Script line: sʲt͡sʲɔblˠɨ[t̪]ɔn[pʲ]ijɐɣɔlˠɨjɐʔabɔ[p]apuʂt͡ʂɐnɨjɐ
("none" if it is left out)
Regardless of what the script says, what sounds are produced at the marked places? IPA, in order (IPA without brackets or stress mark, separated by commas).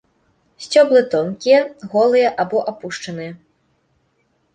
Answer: t̪, kʲ, ʔ